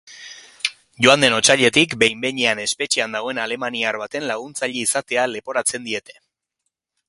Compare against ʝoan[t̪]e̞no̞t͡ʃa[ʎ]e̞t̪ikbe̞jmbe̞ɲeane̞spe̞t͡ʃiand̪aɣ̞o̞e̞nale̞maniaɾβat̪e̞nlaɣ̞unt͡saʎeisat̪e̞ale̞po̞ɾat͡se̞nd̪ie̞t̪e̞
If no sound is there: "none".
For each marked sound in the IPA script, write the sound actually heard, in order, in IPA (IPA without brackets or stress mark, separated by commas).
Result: d̪, ʎ